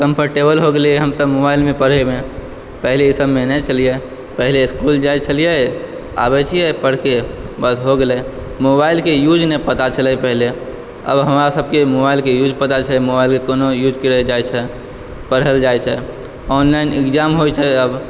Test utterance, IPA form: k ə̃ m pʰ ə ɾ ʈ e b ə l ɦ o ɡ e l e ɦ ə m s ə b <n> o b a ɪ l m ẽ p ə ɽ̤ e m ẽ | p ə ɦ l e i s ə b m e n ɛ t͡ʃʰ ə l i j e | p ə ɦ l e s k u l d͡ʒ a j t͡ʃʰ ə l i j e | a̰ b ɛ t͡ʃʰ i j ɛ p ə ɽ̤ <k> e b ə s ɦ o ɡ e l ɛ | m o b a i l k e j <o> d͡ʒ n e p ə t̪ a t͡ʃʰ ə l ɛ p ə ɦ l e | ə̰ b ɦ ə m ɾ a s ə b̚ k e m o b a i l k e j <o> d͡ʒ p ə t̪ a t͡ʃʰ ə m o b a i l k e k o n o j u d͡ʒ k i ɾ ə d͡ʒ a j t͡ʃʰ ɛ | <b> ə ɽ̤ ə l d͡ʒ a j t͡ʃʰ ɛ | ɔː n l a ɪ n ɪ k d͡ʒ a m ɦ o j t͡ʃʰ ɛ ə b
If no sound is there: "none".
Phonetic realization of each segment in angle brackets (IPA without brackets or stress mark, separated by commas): m, k, u, u, p